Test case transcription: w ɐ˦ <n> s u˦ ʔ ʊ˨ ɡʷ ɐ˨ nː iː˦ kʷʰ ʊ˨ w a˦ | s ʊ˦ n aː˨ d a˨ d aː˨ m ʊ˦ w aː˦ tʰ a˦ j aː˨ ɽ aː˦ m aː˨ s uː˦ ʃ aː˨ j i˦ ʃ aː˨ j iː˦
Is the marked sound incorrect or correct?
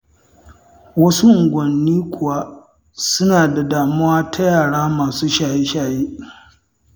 incorrect